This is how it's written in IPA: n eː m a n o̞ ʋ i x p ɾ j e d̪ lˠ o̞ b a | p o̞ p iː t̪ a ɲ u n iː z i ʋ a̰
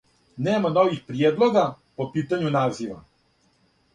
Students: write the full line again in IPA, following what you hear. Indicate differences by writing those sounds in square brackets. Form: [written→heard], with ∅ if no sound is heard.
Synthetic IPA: n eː m a n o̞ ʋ i x p ɾ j e d̪ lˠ o̞ [b→ɡ] a | p o̞ p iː t̪ a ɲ u n [iː→aː] z i ʋ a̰